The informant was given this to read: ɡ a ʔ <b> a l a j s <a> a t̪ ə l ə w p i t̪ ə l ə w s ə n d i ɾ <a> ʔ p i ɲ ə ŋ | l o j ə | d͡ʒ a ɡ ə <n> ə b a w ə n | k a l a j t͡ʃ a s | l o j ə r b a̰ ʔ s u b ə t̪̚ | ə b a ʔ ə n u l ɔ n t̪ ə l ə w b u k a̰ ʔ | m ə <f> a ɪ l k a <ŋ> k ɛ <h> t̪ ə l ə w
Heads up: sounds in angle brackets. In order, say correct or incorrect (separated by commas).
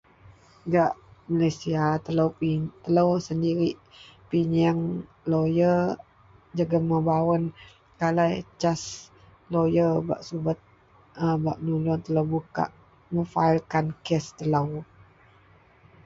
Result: incorrect, incorrect, incorrect, incorrect, correct, incorrect, incorrect